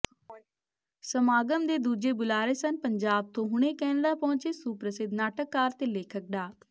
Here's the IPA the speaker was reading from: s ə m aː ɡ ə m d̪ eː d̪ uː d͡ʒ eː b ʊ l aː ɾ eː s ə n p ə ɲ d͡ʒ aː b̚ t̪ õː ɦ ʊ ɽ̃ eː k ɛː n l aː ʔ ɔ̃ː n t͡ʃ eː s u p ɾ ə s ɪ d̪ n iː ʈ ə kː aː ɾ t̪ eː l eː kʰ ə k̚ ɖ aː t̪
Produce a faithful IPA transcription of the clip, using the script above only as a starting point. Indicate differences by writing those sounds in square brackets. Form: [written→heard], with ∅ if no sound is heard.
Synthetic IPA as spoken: s ə m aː ɡ ə m d̪ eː d̪ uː d͡ʒ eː b ʊ l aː ɾ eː s ə n p ə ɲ d͡ʒ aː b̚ t̪ õː ɦ ʊ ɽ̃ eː k ɛː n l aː [ʔ→p] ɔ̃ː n t͡ʃ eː s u p ɾ ə s ɪ d̪ n [iː→aː] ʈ ə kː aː ɾ t̪ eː l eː kʰ ə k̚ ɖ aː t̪

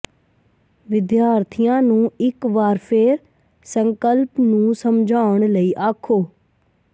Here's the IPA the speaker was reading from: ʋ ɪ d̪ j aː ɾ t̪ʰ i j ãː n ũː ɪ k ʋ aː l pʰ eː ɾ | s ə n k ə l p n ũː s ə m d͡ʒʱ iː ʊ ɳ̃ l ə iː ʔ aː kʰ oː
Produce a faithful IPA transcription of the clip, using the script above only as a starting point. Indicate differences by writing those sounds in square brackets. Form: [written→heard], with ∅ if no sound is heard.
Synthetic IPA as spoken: ʋ ɪ d̪ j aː ɾ t̪ʰ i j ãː n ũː ɪ k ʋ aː [l→ɾ] pʰ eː ɾ | s ə [n→ŋ] k ə l p n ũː s ə m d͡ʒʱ [iː→aː] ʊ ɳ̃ l ə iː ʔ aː kʰ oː

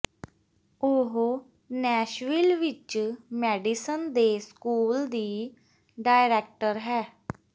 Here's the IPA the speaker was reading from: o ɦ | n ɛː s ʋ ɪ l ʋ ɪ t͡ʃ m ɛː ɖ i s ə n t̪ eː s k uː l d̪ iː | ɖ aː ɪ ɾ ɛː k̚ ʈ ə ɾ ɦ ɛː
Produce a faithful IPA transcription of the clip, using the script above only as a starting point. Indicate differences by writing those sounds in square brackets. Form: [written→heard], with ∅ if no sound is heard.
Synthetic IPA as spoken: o ɦ | n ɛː [s→ʃ] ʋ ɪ l ʋ ɪ t͡ʃ m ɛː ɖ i s ə n [t̪→d̪] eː s k uː l d̪ iː | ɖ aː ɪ ɾ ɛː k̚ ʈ ə ɾ ɦ ɛː

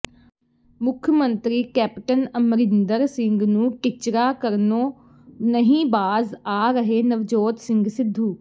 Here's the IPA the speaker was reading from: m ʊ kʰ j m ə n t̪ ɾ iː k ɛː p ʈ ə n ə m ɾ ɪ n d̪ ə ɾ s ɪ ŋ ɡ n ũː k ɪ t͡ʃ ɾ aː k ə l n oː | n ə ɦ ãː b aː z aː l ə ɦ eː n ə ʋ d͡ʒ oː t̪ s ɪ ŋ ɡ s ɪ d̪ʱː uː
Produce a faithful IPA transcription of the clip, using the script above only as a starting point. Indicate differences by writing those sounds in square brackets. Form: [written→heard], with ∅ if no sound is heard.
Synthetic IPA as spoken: m ʊ kʰ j m ə n t̪ ɾ iː k ɛː p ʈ ə n ə m ɾ ɪ n d̪ ə ɾ s ɪ ŋ ɡ n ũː k ɪ t͡ʃ ɾ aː k ə [l→ɾ] n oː | n ə ɦ [ãː→ĩː] b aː z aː [l→ɾ] ə ɦ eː n ə ʋ d͡ʒ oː t̪ s ɪ ŋ ɡ s ɪ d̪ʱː uː

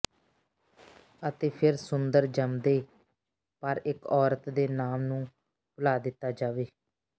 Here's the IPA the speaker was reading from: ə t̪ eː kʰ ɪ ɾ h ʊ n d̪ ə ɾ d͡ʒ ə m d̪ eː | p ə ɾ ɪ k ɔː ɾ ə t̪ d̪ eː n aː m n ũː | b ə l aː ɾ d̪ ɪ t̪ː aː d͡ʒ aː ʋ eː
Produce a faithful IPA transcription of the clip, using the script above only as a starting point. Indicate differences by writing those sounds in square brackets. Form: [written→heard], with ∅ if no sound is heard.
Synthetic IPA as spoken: ə t̪ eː [kʰ→pʰ] ɪ ɾ [h→s] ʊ n d̪ ə ɾ d͡ʒ ə m d̪ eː | p ə ɾ ɪ k ɔː ɾ ə t̪ d̪ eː n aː m n ũː | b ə l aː [ɾ→∅] d̪ ɪ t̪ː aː d͡ʒ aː ʋ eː

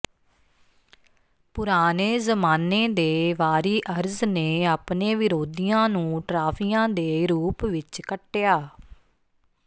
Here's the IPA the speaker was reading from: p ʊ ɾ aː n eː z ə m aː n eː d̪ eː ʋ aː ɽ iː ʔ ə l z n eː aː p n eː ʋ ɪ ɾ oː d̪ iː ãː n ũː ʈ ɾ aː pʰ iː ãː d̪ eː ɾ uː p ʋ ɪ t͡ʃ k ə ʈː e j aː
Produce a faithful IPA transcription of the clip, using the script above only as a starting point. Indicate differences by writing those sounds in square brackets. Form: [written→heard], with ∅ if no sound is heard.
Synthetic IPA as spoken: p ʊ ɾ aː n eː z ə m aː n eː d̪ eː ʋ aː [ɽ→ɾ] iː ʔ ə [l→ɾ] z n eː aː p n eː ʋ ɪ ɾ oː d̪ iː ãː n ũː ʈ ɾ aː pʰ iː ãː d̪ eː ɾ uː p ʋ ɪ t͡ʃ k ə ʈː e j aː

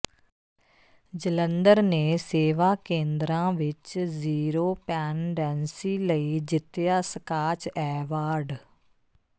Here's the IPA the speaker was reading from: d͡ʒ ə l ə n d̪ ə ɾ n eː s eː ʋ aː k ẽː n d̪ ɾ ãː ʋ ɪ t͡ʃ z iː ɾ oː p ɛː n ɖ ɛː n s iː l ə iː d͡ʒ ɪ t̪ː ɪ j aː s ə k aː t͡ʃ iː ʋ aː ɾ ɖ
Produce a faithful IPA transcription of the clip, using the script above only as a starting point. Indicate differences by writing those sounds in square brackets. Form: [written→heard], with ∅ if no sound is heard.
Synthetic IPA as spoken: d͡ʒ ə l ə n d̪ ə ɾ n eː s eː ʋ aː k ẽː n d̪ ɾ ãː ʋ ɪ t͡ʃ z iː ɾ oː p ɛː n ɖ ɛː n s iː l ə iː d͡ʒ ɪ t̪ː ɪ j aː s ə k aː t͡ʃ [iː→ɛː] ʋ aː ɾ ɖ

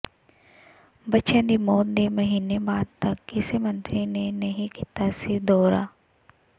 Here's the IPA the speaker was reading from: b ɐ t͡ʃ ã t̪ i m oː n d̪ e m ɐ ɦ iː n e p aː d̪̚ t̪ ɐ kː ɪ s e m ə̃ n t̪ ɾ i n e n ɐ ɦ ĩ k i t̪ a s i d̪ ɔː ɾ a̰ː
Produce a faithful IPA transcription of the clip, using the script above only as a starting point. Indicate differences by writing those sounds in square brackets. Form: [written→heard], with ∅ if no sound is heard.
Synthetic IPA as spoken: b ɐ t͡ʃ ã [t̪→d̪] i m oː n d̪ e m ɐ ɦ iː n e [p→b] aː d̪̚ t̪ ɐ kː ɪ s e m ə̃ n t̪ ɾ i n e n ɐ ɦ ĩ k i t̪ a s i d̪ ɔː ɾ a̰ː

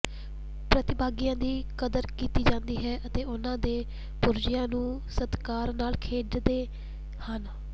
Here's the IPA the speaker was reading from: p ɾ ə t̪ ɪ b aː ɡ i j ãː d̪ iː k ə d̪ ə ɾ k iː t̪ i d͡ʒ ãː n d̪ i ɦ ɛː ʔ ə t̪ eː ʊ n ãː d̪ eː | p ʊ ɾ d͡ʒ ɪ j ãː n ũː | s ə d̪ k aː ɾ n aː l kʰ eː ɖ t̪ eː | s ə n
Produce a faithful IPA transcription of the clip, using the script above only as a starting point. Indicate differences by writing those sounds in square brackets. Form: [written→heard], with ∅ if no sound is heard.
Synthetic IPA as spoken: p ɾ ə t̪ ɪ b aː ɡ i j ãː d̪ iː k ə d̪ ə ɾ k iː t̪ [i→iː] d͡ʒ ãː n d̪ [i→iː] ɦ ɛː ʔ ə t̪ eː ʊ n ãː d̪ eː | p ʊ ɾ d͡ʒ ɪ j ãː n ũː | s ə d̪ k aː ɾ n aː l kʰ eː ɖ [t̪→d̪] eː | [s→h] ə n

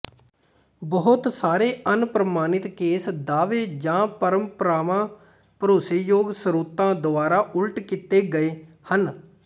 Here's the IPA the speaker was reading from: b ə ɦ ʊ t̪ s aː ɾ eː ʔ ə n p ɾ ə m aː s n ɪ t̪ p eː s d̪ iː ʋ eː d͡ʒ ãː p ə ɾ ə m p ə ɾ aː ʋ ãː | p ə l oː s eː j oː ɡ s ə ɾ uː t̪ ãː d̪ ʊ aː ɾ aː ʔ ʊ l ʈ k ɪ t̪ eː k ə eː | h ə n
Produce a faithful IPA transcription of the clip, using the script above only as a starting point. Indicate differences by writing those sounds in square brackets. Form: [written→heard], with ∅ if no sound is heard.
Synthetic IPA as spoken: b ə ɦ ʊ t̪ s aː ɾ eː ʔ ə n p ɾ ə m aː [s→∅] n ɪ t̪ [p→k] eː s d̪ [iː→aː] ʋ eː d͡ʒ ãː p ə ɾ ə m p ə ɾ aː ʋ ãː | p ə [l→ɾ] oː s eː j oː ɡ s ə ɾ uː t̪ ãː d̪ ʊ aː ɾ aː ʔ ʊ l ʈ k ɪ t̪ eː [k→ɡ] ə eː | h ə n

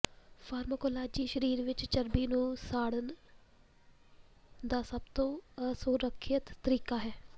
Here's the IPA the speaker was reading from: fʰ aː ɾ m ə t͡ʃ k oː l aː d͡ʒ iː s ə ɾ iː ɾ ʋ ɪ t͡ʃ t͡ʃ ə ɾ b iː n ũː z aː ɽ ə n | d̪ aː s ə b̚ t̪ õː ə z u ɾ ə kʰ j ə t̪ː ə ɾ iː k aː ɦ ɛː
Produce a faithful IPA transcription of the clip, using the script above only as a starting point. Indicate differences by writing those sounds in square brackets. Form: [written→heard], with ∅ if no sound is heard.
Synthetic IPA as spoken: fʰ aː ɾ m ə [t͡ʃ→∅] k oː l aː d͡ʒ iː [s→ʃ] ə ɾ iː ɾ ʋ ɪ t͡ʃ t͡ʃ ə ɾ b iː n ũː [z→s] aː ɽ ə n | d̪ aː s ə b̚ t̪ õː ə [z→s] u ɾ ə kʰ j ə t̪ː ə ɾ iː k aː ɦ ɛː

